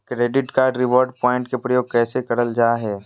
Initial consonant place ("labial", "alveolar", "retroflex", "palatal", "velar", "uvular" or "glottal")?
velar